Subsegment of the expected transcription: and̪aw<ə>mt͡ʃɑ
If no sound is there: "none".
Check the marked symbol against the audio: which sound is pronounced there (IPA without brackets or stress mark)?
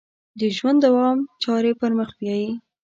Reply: ɑ